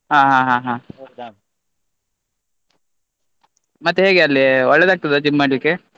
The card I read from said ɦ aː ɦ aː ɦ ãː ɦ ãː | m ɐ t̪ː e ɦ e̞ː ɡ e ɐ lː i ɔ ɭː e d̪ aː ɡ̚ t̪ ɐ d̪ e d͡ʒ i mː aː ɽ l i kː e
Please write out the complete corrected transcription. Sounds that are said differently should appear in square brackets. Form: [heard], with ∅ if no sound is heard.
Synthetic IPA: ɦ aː ɦ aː ɦ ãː ɦ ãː | m ɐ t̪ː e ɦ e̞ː ɡ e ɐ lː i ɔ ɭː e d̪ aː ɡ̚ t̪ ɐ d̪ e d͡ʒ i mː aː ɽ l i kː e